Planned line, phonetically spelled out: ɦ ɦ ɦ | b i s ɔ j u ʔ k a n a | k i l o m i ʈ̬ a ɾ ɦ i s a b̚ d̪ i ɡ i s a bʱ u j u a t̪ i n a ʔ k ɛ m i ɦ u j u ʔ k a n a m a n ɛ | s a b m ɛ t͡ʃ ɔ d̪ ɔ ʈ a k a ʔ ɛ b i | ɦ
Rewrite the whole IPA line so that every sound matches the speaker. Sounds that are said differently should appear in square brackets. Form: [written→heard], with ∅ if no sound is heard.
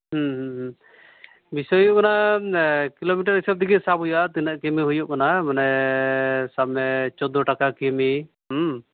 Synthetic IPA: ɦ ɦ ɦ | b i s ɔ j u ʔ k a n a | k i l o m i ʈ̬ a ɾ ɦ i s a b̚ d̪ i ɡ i s a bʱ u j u a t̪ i n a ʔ k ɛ m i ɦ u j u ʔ k a n a m a n ɛ | s a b m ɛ t͡ʃ ɔ d̪ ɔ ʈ a k a [ʔ→k] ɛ [b→m] i | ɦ

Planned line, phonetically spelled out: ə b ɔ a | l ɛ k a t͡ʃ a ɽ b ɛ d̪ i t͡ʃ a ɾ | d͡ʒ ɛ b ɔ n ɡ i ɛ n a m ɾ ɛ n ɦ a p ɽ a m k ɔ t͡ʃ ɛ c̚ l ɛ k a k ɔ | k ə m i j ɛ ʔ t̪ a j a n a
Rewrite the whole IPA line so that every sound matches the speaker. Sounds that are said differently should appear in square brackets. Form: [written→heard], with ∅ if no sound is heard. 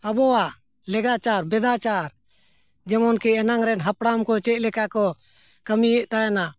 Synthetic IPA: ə b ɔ a | l ɛ [k→ɡ] a t͡ʃ a [ɽ→ɾ] b ɛ d̪ [i→a] t͡ʃ a ɾ | d͡ʒ ɛ [b→m] ɔ n [ɡ→k] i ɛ n a [m→ŋ] ɾ ɛ n ɦ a p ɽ a m k ɔ t͡ʃ ɛ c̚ l ɛ k a k ɔ | k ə m i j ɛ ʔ t̪ a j a n a

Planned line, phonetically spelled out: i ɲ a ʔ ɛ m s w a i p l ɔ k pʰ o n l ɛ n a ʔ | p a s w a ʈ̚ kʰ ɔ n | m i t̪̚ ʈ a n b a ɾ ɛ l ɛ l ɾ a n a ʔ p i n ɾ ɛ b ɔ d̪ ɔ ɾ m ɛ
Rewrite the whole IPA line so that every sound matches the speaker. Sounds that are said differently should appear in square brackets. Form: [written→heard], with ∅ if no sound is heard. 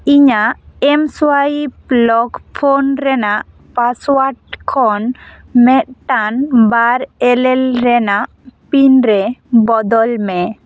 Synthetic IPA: i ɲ a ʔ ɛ m s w a i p l ɔ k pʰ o n [l→ɾ] ɛ n a ʔ | p a s w a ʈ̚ kʰ ɔ n | m [i→ɛ] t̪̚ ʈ a n b a ɾ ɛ l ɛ l ɾ [a→ɛ] n a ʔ p i n ɾ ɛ b ɔ d̪ ɔ [ɾ→l] m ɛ

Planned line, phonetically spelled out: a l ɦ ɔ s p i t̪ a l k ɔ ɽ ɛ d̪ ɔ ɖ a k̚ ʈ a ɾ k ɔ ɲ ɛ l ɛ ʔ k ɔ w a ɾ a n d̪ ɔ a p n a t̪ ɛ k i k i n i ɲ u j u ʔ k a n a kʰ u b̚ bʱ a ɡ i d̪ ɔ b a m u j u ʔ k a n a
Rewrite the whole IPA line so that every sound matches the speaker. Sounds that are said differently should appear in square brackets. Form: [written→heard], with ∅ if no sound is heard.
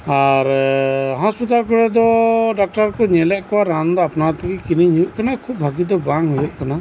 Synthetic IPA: a [l→ɾ] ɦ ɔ s p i t̪ a l k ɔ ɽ ɛ d̪ ɔ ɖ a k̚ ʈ a ɾ k ɔ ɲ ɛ l ɛ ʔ k ɔ w a ɾ a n d̪ ɔ a p n a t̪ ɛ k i k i n i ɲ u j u ʔ k a n a kʰ u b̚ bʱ a ɡ i d̪ ɔ b a [m→ŋ] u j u ʔ k a n a

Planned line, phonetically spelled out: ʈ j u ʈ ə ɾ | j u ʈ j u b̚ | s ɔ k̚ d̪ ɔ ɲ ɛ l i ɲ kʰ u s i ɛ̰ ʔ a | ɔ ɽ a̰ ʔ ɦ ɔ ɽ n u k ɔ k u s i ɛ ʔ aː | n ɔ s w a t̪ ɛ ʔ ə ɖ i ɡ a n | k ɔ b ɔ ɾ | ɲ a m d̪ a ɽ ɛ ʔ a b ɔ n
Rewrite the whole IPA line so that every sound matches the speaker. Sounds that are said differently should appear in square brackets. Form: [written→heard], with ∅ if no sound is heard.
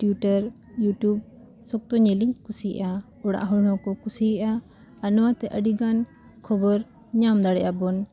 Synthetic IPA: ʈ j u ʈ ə ɾ | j u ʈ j u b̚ | s ɔ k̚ [d̪→t̪] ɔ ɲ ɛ l i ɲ [kʰ→k] u s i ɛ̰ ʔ a | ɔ ɽ a̰ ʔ ɦ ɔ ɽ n [u→ɔ] k ɔ k u s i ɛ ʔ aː | n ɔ [s→∅] w a t̪ ɛ ʔ ə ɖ i ɡ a n | [k→kʰ] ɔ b ɔ ɾ | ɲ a m d̪ a ɽ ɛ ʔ a b ɔ n

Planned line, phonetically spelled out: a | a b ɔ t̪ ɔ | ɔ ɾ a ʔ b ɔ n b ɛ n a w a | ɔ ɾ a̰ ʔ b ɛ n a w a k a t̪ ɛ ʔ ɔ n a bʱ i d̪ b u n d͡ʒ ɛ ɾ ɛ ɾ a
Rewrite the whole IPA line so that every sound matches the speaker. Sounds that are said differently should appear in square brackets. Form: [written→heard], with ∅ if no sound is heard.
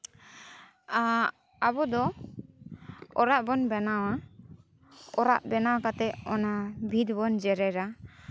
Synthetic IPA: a | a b ɔ [t̪→d̪] ɔ | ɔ ɾ a ʔ b ɔ n b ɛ n a w a | ɔ ɾ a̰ ʔ b ɛ n a w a k a t̪ ɛ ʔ ɔ n a bʱ i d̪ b [u→ɔ] n d͡ʒ ɛ ɾ ɛ ɾ a

